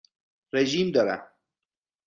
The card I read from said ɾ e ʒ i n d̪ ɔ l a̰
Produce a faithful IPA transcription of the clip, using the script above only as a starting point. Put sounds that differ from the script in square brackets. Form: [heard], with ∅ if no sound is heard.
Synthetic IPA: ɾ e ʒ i [m] d̪ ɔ [ɾ] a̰